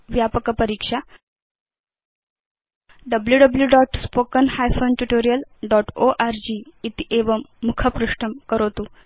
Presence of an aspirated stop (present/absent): present